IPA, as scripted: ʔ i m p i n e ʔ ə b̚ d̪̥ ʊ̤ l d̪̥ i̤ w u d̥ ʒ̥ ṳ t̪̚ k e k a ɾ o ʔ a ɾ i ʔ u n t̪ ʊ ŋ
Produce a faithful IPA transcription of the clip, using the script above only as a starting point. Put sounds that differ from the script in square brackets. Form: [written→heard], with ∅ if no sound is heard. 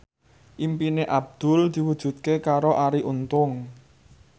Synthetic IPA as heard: ʔ i m p i n e ʔ [ə→a] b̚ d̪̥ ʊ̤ l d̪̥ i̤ w u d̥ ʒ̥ ṳ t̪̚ k e k a ɾ o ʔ a ɾ i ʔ u n t̪ ʊ ŋ